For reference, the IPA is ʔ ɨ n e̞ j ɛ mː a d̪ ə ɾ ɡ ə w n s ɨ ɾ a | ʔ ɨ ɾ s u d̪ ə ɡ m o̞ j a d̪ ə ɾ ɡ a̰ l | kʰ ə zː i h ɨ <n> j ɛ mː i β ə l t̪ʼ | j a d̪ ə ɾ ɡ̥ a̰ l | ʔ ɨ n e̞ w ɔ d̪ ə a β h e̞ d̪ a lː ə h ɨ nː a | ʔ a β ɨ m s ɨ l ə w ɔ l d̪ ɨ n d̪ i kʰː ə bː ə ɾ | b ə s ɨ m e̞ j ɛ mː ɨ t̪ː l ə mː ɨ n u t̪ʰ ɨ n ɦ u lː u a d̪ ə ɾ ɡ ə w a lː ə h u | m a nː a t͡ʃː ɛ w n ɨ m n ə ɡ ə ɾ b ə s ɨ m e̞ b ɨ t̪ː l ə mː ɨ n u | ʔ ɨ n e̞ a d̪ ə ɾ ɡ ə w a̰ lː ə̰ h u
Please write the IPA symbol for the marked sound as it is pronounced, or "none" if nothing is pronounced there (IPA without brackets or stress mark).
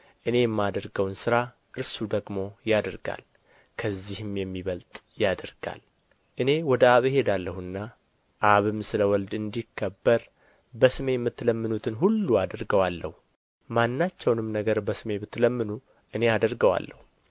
m